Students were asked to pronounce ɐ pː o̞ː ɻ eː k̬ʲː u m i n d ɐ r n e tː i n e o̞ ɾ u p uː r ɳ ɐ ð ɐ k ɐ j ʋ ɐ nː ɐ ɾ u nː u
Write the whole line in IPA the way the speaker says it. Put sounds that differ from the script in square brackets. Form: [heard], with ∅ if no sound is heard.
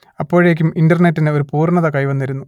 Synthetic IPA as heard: ɐ pː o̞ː ɻ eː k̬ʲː u m i n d ɐ r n e tː i n e o̞ ɾ u p uː r ɳ ɐ ð ɐ k ɐ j ʋ ɐ nː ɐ ɾ u nː u